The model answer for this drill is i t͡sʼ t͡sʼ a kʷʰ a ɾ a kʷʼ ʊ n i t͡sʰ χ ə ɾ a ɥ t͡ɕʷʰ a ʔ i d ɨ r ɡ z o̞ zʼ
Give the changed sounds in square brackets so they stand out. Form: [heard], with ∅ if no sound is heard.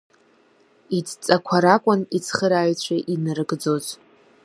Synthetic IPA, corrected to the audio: i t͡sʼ t͡sʼ a kʷʰ a ɾ a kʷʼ ʊ n i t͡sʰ χ ə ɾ a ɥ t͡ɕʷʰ a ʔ i [n] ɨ r ɡ [d͡z] o̞ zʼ

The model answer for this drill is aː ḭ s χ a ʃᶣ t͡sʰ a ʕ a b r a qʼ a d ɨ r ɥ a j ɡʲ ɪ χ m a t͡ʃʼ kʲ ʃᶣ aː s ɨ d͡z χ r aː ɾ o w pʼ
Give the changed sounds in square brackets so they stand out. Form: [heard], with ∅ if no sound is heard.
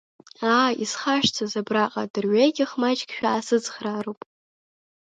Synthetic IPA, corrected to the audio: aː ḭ s χ a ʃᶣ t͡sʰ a [z] a b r a qʼ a d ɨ r ɥ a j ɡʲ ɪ χ m a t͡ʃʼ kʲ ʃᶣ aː s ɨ d͡z χ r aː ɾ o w pʼ

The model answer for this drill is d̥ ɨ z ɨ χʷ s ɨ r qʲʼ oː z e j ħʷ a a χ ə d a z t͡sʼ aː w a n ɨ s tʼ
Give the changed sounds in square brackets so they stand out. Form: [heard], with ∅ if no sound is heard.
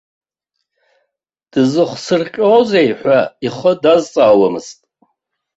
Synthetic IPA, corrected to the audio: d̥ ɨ z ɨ χʷ s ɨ r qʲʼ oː z e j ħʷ a [i] χ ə d a z t͡sʼ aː w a [m] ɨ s tʼ

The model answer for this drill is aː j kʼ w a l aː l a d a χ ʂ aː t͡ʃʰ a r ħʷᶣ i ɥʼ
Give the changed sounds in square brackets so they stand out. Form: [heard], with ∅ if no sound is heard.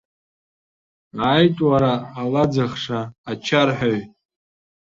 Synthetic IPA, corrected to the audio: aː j [tʼ] w a [ɾ] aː l a [d͡z] a χ ʂ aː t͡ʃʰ a r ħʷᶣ [a] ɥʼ

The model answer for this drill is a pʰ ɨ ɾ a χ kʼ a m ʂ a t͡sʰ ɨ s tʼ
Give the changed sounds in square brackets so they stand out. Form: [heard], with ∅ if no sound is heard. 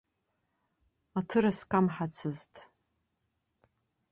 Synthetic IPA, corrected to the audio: a [tʰ] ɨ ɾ a [s] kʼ a m [ħ] a t͡sʰ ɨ [z] tʼ

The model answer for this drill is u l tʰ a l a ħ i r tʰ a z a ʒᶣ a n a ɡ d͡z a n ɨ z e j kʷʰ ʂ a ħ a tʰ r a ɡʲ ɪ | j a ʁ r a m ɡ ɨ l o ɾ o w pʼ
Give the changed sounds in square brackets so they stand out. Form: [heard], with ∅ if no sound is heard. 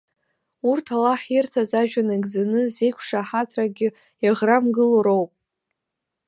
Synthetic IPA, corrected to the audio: u [r] tʰ a l a ħ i r tʰ a z a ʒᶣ a n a ɡ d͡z a n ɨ z e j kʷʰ ʂ a ħ a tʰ r a ɡʲ ɪ | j a ʁ r a m ɡ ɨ l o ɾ o w pʼ

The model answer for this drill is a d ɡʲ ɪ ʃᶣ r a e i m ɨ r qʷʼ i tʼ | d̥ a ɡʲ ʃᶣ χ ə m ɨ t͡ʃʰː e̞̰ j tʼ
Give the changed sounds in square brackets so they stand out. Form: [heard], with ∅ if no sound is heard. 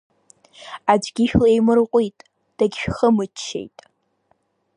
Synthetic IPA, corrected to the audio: a [d͡ʒ] ɡʲ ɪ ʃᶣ [l] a e [j] m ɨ r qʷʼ i tʼ | d̥ a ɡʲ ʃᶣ χ ə m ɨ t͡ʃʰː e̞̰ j tʼ

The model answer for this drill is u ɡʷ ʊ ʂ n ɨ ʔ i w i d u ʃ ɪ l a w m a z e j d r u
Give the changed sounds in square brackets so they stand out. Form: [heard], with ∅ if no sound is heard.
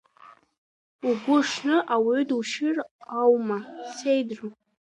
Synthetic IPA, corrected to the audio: u ɡʷ ʊ ʂ n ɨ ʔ [a] w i d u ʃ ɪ [r] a w m a [s] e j d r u

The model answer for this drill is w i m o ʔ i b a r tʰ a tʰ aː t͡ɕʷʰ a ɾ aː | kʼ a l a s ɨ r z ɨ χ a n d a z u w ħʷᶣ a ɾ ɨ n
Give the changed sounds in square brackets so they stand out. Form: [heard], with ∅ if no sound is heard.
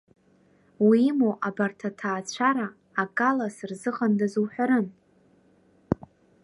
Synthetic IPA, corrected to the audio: w i m o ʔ [a] b a r tʰ a tʰ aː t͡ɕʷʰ a ɾ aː | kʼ a l a s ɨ r z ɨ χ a n d a z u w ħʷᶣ a ɾ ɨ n

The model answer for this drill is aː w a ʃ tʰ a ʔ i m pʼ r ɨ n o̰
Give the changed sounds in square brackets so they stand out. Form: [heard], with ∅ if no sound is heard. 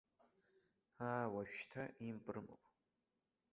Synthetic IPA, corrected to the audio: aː w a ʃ tʰ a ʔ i m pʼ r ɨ [m] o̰

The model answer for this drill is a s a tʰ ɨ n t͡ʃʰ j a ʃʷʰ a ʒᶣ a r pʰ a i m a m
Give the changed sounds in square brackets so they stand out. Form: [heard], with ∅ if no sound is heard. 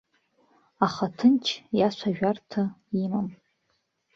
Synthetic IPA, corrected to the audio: a [χ] a tʰ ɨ n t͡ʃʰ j a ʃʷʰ a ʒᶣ a r [tʰ] a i m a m

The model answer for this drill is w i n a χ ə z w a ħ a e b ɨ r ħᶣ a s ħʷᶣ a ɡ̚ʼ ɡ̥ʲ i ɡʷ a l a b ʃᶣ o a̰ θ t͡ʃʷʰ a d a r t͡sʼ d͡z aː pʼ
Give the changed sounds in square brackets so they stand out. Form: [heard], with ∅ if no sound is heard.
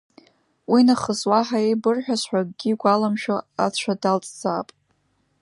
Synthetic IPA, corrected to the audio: w i n a χ ə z w a ħ a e b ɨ r ħᶣ a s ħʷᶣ a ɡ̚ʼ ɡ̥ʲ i ɡʷ a l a [m] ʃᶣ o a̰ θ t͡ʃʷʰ a d a [l] t͡sʼ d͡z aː pʼ

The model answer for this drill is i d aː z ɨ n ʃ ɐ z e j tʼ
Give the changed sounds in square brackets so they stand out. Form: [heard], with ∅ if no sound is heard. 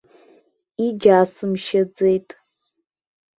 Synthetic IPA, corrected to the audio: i [d͡ʒ] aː [s] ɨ [m] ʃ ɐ [d͡z] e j tʼ

